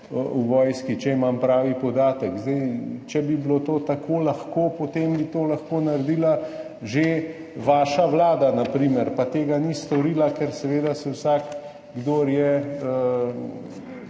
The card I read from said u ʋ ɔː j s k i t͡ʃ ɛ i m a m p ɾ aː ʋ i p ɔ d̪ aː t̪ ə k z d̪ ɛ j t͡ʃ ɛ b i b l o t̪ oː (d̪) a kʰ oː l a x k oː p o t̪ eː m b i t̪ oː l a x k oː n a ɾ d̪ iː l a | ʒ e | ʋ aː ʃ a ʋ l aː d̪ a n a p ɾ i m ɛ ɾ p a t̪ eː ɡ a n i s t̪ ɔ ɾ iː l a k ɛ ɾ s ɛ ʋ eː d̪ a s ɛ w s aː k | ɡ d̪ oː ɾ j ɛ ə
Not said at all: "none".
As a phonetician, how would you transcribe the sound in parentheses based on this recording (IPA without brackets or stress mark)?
t̪